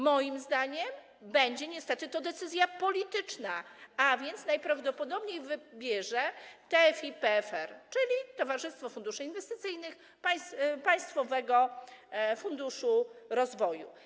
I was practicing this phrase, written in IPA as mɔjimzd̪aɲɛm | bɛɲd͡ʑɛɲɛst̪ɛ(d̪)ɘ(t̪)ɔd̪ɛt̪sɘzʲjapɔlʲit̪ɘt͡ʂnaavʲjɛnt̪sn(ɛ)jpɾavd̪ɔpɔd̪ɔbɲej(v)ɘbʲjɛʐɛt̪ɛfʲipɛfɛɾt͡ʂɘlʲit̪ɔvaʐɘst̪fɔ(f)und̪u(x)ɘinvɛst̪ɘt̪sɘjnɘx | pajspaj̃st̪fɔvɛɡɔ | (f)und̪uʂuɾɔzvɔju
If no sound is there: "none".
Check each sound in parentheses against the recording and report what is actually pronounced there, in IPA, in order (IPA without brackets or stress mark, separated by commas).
t̪, t̪, a, v, f, ʂ, f